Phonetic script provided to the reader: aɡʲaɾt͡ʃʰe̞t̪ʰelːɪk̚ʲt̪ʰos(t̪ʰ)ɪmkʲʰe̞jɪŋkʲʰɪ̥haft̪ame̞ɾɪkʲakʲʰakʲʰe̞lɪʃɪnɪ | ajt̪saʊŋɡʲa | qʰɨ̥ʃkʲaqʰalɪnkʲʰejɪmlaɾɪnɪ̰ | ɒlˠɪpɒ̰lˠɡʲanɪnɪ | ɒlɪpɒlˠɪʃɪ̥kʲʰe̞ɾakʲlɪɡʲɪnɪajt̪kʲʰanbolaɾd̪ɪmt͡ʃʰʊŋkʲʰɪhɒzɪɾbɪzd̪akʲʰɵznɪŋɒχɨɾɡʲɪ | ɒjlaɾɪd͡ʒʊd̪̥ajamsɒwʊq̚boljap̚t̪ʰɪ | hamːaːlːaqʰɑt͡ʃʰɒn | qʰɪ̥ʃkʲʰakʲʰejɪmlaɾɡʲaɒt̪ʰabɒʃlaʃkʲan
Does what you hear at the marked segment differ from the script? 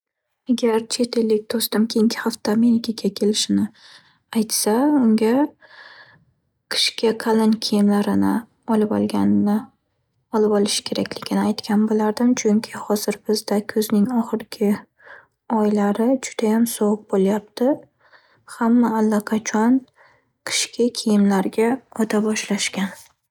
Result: yes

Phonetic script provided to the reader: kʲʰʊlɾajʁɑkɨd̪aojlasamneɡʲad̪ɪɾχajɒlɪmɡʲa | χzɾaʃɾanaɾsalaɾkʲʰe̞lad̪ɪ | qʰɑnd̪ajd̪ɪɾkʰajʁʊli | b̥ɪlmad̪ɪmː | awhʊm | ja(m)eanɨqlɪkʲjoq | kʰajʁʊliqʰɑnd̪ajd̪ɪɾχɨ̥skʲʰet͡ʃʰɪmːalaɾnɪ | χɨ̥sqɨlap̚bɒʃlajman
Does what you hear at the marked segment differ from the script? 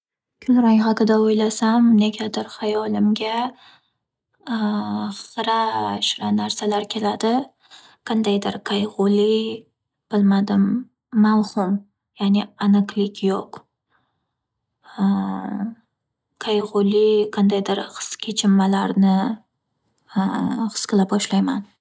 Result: yes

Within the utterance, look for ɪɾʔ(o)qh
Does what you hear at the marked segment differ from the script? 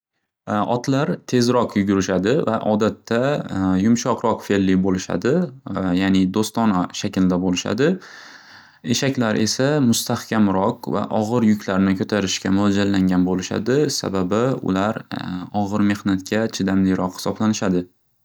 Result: yes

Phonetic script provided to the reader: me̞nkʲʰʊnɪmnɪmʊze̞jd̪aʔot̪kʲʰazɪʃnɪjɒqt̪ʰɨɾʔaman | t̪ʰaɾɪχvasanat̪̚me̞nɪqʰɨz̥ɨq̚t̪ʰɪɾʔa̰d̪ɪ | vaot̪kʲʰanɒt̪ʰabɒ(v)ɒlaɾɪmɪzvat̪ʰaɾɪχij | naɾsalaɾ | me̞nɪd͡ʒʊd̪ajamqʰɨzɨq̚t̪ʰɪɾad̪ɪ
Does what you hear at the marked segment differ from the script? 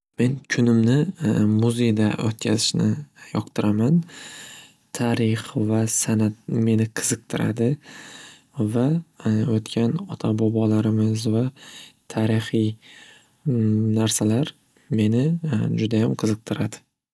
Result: yes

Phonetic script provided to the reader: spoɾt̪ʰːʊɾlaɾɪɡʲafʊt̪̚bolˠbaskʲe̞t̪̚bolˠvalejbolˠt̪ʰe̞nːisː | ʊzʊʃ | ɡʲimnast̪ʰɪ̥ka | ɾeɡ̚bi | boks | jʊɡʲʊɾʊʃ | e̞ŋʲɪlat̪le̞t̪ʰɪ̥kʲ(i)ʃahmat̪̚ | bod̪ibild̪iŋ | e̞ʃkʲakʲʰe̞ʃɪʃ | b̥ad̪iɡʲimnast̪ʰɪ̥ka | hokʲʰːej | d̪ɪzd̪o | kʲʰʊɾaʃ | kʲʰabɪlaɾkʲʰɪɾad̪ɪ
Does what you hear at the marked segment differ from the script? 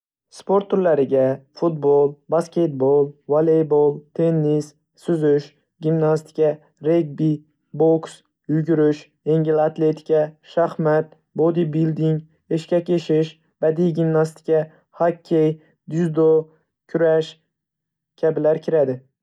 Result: yes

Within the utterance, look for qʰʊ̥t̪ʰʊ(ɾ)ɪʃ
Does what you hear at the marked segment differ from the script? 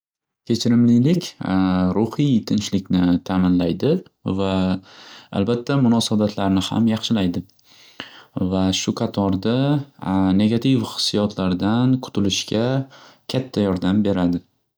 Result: yes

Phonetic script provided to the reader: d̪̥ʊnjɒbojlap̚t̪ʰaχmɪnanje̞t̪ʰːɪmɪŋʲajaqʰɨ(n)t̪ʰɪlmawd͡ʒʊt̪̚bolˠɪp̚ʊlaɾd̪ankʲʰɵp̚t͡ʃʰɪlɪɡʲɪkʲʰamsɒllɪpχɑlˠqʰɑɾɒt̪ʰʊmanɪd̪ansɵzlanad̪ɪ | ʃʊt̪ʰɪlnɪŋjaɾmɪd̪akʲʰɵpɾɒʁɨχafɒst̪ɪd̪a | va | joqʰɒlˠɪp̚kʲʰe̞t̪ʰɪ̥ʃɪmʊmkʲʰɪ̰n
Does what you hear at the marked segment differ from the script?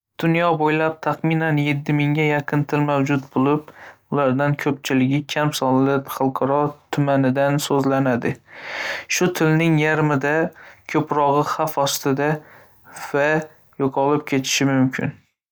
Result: no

